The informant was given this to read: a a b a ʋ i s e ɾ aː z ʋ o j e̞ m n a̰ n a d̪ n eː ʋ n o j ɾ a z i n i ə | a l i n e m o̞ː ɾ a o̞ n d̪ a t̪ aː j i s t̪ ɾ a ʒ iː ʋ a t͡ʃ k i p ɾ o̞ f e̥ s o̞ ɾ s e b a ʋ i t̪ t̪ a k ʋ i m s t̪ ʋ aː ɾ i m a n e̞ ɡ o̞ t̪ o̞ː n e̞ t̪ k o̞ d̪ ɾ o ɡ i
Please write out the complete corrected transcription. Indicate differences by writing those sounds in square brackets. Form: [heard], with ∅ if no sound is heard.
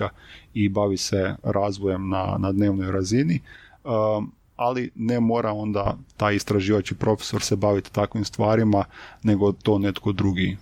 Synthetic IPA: a [i] b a ʋ i s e ɾ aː z ʋ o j e̞ m n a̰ n a d̪ n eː ʋ n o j ɾ a z i n i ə | a l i n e m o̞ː ɾ a o̞ n d̪ a t̪ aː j i s t̪ ɾ a ʒ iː ʋ a t͡ʃ k i p ɾ o̞ f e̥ s o̞ ɾ s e b a ʋ i t̪ t̪ a k ʋ i m s t̪ ʋ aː ɾ i m a n e̞ ɡ o̞ t̪ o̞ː n e̞ t̪ k o̞ d̪ ɾ [u] ɡ i